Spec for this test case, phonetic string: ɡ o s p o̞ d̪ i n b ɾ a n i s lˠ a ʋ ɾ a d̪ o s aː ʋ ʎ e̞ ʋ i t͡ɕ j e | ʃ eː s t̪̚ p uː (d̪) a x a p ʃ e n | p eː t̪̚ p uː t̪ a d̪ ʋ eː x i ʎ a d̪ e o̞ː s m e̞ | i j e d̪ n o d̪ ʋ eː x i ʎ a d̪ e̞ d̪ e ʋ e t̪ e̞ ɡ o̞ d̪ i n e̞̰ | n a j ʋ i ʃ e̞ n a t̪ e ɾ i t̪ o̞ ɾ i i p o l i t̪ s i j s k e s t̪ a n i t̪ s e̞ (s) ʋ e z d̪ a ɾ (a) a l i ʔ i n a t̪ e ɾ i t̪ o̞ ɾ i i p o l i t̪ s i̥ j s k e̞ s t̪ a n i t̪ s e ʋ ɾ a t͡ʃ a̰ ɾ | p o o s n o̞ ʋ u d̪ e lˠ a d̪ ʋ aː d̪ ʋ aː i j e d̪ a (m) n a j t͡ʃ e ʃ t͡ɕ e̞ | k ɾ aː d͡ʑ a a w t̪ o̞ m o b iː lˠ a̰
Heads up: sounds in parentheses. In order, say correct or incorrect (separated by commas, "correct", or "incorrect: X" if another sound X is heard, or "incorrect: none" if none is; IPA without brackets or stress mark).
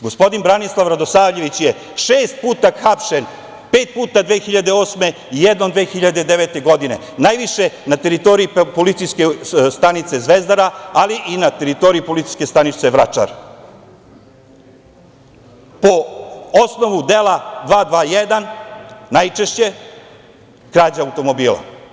incorrect: t̪, incorrect: z, correct, incorrect: n